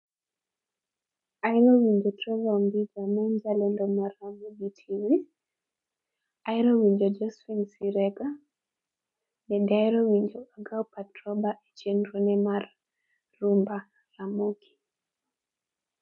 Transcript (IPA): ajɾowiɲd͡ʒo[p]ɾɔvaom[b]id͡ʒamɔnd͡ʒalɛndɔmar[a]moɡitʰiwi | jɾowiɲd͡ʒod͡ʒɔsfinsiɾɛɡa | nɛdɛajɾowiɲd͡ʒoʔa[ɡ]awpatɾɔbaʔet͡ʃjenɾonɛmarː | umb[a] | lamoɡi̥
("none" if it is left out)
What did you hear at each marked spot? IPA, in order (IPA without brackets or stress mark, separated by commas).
t, b, a, ɡ, a